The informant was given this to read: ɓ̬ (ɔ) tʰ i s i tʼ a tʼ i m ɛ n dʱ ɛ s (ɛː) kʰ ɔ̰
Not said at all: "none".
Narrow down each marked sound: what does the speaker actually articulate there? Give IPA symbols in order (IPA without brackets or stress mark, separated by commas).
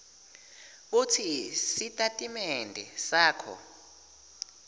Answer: u, aː